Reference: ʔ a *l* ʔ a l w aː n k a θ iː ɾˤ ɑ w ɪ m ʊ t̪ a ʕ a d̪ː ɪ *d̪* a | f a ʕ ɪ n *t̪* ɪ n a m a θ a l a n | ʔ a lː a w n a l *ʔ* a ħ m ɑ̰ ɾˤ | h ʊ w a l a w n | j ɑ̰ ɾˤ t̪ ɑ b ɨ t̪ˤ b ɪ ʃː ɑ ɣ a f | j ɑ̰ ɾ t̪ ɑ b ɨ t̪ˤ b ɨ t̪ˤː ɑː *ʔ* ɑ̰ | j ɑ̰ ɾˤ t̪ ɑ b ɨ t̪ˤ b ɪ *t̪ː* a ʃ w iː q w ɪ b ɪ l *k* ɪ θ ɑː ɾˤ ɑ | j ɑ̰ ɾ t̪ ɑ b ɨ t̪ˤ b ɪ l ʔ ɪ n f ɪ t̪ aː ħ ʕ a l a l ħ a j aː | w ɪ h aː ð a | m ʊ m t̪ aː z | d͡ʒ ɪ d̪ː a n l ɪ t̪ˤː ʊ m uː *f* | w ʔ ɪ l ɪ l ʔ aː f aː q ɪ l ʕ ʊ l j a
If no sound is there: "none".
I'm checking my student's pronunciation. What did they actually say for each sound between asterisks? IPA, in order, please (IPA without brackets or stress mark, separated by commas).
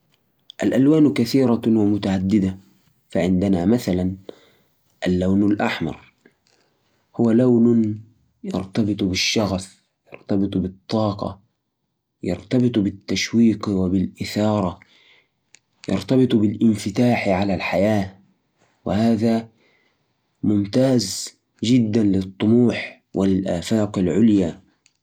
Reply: l, d̪, d̪, ʔ, q, t̪ː, ʔ, ħ